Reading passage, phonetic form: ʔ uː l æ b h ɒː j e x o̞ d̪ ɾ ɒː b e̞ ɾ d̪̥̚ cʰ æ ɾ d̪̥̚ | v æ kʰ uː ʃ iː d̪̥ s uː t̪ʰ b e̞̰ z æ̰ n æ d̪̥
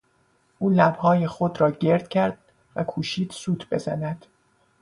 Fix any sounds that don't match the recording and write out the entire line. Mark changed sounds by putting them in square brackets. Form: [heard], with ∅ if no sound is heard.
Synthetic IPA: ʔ uː l æ b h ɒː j e x o̞ d̪ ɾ ɒː [ɟ] e̞ ɾ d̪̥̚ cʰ æ ɾ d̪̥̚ | v æ kʰ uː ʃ iː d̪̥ s uː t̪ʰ b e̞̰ z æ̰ n æ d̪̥